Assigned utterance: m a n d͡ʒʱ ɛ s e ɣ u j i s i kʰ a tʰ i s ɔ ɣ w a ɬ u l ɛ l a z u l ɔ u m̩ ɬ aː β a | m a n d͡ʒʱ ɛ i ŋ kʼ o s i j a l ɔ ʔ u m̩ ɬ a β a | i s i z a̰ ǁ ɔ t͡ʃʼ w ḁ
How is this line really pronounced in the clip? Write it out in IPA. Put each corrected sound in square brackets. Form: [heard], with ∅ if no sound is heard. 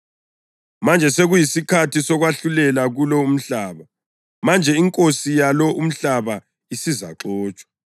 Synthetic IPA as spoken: m a n d͡ʒʱ ɛ s e ɣ u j i s i kʰ a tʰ i s ɔ ɣ w a ɬ u l ɛ l a [ɣ] u l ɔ u m̩ ɬ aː β a | m a n d͡ʒʱ ɛ i ŋ kʼ o s i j a l ɔ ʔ u m̩ ɬ a β a | i s i z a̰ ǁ [ɔː] t͡ʃʼ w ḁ